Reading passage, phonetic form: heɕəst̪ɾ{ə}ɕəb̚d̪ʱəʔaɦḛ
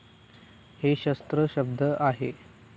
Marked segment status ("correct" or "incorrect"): correct